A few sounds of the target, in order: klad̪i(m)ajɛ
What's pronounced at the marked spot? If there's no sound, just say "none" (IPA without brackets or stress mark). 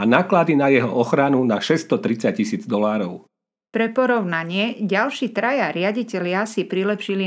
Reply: n